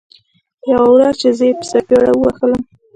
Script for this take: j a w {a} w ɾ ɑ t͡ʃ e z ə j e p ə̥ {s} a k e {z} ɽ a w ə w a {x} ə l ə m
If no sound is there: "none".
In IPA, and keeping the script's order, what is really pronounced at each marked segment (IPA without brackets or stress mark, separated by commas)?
a, s, none, x